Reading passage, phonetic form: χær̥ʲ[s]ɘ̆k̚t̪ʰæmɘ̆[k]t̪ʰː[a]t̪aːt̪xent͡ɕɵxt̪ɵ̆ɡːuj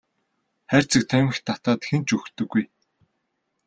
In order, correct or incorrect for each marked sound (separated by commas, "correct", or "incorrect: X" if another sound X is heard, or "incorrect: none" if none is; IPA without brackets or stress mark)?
incorrect: t͡s, incorrect: x, correct